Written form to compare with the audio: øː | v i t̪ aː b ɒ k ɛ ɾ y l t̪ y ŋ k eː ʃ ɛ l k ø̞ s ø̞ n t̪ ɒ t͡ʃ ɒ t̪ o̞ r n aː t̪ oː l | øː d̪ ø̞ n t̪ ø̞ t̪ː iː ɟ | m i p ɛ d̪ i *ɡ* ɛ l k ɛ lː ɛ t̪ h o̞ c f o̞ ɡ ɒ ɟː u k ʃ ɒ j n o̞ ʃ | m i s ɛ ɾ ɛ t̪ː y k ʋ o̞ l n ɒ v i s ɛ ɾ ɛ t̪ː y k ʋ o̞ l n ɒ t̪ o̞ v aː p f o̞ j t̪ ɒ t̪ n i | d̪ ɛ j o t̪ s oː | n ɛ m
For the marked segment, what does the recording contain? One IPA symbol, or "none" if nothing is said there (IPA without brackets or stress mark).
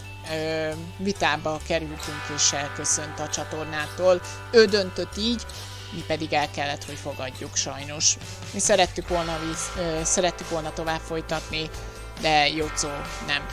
ɡ